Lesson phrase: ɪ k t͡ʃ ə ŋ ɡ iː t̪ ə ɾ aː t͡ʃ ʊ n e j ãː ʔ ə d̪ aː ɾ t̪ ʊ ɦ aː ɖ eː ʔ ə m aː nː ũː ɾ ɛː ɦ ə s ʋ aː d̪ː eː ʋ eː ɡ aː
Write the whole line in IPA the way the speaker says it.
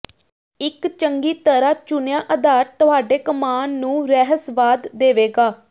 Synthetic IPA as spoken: ɪ k t͡ʃ ə ŋ ɡ iː t̪ ə ɾ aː t͡ʃ ʊ n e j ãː ʔ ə d̪ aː ɾ t̪ ʊ ɦ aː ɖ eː k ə m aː nː ũː ɾ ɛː ɦ ə s ʋ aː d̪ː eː ʋ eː ɡ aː